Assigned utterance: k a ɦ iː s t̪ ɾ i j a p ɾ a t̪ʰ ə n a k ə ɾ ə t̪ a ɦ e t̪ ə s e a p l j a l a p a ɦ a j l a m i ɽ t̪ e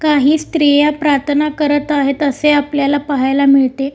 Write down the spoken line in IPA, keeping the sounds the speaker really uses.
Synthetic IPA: k a ɦ iː s t̪ ɾ i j a p ɾ a t̪ʰ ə n a k ə ɾ ə t̪ a ɦ e t̪ ə s e a p l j a l a p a ɦ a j l a m i ɭ t̪ e